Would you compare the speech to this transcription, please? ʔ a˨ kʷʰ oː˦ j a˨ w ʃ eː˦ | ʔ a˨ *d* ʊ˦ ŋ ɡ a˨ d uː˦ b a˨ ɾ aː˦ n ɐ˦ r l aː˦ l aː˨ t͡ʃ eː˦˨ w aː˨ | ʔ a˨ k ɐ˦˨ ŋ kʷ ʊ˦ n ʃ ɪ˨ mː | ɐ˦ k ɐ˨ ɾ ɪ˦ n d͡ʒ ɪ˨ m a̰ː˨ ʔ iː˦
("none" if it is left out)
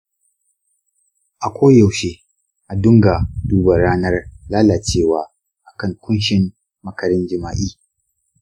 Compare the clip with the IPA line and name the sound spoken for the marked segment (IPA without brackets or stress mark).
d